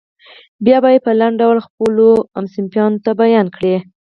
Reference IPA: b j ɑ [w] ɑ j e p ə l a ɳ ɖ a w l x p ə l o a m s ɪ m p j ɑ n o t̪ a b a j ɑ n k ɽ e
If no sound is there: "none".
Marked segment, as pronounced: b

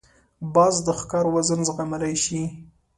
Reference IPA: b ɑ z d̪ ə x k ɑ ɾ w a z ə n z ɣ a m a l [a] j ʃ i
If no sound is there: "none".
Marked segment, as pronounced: a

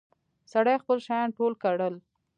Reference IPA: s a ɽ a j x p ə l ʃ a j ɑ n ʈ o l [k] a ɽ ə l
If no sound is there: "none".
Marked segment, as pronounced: k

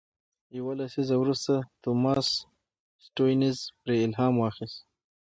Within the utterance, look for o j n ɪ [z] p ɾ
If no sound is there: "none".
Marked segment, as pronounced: z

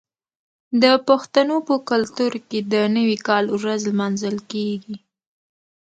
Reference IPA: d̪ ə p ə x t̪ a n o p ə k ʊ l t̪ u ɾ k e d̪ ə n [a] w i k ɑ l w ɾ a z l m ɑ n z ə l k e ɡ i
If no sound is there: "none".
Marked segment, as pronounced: ə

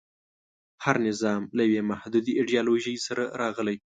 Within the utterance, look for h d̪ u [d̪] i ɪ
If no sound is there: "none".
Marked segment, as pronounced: d̪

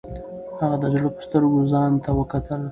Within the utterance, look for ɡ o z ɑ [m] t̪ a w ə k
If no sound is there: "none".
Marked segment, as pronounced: n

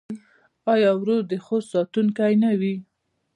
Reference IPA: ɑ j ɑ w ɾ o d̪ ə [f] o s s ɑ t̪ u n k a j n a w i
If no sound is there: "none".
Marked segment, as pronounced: x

